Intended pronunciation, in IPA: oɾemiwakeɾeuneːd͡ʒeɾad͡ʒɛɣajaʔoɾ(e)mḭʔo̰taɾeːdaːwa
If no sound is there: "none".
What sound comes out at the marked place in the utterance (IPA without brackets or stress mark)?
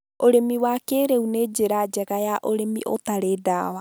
e